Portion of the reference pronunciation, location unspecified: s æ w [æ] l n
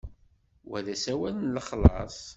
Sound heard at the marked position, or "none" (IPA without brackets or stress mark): æ